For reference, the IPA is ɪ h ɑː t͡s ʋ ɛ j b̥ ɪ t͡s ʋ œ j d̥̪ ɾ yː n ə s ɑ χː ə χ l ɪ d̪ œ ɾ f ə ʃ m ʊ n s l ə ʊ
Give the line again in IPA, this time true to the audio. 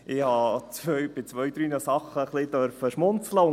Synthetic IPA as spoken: ɪ h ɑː t͡s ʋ œ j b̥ ɪ t͡s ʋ œ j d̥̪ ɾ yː n ə s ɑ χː ə χ l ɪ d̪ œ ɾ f ə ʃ m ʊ n t͡s l ə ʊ